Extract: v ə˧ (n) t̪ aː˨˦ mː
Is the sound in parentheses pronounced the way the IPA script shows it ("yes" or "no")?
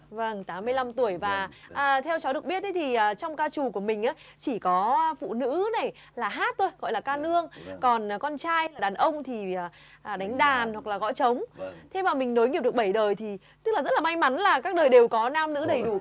no